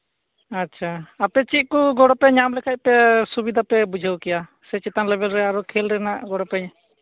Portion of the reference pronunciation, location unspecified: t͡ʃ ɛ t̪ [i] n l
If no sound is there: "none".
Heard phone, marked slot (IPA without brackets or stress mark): a